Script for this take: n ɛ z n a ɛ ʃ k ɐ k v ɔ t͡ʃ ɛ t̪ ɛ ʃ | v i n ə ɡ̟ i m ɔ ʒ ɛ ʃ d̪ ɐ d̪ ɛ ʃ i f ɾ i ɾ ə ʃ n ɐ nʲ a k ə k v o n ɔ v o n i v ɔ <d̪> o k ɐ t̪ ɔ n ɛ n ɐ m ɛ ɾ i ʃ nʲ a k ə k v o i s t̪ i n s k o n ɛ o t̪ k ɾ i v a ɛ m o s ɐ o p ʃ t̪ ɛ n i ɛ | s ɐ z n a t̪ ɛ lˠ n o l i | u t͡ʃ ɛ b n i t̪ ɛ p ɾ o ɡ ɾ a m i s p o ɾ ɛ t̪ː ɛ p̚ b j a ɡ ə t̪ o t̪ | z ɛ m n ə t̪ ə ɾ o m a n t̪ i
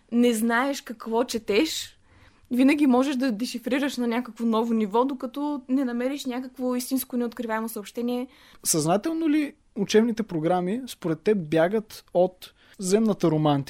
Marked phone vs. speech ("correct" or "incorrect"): correct